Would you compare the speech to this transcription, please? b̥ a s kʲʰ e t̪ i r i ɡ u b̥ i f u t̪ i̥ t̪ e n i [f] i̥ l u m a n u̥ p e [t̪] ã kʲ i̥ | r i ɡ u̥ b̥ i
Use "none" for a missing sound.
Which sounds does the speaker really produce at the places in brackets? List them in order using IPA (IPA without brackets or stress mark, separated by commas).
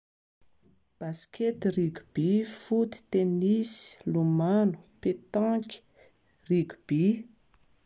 s, t̪